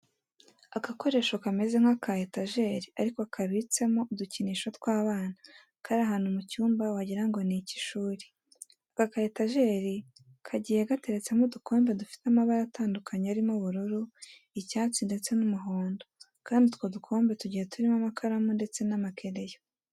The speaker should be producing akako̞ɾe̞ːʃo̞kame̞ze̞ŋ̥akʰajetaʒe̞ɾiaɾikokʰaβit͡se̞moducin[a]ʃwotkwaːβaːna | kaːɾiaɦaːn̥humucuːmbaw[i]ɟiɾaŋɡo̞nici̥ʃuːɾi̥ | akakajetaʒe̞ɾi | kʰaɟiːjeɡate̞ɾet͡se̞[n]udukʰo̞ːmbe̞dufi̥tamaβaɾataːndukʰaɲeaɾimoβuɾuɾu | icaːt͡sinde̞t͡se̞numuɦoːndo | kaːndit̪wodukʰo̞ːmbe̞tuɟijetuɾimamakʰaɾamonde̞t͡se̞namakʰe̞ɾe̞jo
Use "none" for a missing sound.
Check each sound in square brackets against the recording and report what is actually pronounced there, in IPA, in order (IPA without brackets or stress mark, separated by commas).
i, a, m